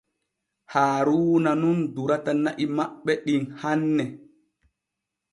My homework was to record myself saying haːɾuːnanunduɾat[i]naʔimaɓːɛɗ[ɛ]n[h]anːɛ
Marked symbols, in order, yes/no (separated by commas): no, no, yes